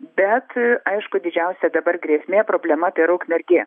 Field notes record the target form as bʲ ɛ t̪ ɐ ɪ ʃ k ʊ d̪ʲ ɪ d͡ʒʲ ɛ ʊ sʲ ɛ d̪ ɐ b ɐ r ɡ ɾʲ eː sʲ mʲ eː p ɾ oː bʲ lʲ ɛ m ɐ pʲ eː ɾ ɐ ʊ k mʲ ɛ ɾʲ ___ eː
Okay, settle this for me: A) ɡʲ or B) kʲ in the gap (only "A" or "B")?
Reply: A